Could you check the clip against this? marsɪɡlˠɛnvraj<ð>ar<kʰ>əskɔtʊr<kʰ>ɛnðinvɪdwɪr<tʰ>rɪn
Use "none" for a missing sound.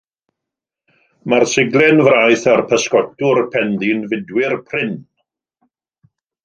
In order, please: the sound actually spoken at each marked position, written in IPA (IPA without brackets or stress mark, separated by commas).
θ, pʰ, pʰ, pʰ